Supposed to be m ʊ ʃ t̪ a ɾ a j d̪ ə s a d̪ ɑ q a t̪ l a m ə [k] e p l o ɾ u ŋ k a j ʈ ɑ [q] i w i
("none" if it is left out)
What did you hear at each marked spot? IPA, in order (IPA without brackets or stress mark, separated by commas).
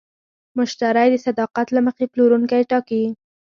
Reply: x, k